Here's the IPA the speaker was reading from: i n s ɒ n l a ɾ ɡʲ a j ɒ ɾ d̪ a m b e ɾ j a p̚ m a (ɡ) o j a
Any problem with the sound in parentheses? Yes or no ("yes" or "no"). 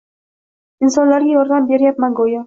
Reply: no